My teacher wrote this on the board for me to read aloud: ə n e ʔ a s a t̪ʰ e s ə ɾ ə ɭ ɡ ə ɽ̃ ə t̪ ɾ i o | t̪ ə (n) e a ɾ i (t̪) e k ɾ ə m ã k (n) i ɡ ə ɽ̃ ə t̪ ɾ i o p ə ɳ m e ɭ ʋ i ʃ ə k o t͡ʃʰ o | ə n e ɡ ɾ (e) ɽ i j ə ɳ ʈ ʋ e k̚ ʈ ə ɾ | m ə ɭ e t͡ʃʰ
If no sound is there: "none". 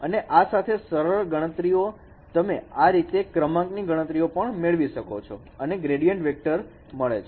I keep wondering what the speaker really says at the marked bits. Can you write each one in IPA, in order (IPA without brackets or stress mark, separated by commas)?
m, t̪, n, e